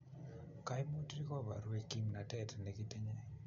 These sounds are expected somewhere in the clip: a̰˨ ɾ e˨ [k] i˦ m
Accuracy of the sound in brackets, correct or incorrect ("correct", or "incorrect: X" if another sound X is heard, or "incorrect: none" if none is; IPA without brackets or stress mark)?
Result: correct